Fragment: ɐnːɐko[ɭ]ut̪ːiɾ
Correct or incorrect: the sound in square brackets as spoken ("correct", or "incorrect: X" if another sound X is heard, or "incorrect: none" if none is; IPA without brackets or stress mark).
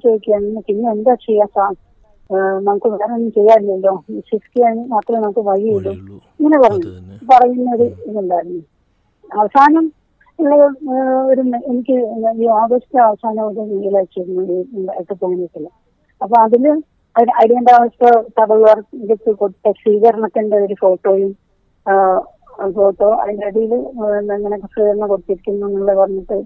incorrect: ɽ